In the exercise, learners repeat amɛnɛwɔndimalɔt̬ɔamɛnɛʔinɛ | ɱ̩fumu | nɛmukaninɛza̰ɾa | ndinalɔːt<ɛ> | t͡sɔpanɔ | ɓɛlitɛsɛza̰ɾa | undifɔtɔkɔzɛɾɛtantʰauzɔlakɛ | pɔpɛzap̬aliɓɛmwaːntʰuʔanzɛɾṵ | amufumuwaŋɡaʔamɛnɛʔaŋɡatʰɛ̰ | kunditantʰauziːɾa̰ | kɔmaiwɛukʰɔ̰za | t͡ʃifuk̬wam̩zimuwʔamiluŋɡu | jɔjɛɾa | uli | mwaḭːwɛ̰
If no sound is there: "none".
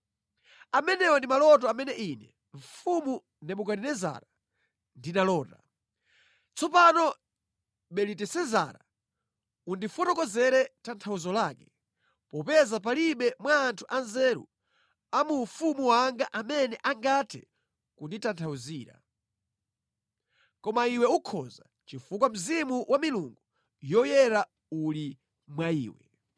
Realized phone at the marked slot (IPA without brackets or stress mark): a